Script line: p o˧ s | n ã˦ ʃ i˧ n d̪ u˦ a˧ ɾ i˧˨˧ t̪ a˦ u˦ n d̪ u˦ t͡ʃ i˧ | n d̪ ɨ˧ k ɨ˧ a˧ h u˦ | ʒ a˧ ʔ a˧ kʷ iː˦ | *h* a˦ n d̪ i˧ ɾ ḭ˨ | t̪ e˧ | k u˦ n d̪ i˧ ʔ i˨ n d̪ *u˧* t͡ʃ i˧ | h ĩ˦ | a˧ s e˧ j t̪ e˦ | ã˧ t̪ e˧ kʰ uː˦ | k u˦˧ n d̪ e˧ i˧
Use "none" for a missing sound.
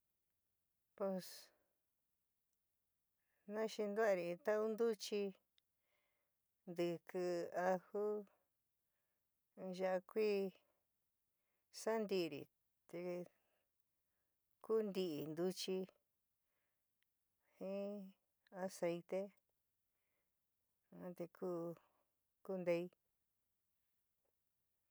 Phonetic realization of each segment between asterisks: s, u˧

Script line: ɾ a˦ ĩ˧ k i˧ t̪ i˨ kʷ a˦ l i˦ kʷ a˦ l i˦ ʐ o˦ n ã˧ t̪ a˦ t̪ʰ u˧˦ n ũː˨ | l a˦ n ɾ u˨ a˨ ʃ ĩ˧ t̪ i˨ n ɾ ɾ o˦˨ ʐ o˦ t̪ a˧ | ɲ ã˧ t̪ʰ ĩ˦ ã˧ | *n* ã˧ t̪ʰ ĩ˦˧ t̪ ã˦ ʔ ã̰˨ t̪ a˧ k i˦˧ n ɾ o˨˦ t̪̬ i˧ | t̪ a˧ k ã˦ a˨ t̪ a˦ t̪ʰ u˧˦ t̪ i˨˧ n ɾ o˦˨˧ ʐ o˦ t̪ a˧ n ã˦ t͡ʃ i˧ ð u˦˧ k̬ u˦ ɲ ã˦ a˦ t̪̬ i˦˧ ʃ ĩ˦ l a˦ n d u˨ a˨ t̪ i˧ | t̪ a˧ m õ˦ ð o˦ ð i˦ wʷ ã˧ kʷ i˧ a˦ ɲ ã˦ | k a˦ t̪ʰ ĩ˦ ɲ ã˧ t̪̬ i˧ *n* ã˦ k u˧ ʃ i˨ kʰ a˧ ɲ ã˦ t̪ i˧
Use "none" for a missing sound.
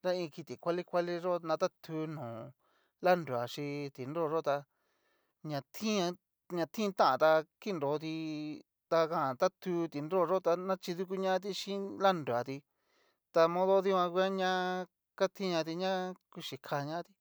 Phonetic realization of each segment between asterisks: ɲ, ɲ

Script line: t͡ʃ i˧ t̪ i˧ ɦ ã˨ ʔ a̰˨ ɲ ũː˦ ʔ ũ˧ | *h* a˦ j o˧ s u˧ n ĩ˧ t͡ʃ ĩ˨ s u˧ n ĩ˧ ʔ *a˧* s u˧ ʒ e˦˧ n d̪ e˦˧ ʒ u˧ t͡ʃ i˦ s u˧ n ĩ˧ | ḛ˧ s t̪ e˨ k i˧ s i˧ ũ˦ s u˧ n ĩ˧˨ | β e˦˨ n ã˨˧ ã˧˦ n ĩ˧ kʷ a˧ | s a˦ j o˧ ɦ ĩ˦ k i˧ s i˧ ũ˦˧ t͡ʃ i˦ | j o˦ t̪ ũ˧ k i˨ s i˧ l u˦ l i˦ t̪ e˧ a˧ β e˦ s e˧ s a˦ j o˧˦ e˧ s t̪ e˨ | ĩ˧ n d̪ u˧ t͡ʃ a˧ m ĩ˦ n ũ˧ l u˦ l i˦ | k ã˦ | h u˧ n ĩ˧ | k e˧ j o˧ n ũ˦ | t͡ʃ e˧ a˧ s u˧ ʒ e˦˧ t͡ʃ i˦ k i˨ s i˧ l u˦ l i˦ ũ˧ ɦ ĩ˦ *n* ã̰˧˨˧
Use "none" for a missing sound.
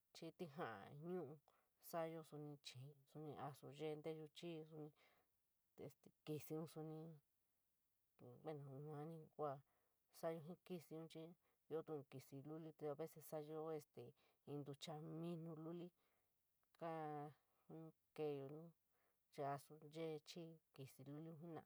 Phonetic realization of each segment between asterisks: s, a˧, n

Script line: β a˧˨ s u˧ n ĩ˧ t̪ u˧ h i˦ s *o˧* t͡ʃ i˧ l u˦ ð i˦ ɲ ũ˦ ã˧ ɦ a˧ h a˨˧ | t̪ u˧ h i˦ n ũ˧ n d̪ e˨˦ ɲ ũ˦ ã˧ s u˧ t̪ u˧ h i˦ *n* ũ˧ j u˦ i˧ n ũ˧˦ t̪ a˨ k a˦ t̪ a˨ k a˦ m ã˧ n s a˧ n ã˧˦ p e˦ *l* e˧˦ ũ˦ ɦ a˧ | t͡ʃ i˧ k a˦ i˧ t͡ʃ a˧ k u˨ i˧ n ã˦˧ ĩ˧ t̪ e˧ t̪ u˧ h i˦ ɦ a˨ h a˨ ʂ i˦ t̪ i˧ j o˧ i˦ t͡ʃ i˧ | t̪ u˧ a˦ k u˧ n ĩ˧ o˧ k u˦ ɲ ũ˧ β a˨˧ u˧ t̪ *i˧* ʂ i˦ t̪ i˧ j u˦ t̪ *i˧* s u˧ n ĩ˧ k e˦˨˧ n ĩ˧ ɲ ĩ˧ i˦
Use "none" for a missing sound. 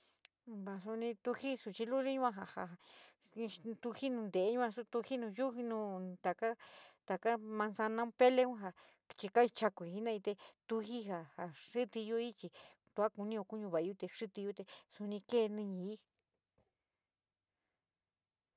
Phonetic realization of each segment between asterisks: u˧, n, l, e˧, e˧

